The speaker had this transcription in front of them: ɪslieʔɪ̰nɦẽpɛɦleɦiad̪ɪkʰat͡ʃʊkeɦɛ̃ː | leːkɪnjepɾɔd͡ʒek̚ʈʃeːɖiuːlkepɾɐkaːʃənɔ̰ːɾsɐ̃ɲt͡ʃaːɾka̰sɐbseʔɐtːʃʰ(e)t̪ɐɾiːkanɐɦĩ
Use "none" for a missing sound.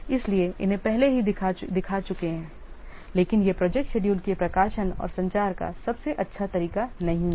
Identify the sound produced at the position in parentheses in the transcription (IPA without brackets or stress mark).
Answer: a